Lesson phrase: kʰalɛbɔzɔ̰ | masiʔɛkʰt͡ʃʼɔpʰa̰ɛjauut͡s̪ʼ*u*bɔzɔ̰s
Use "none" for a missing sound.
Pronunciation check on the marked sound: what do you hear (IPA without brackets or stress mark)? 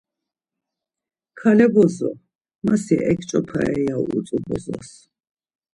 u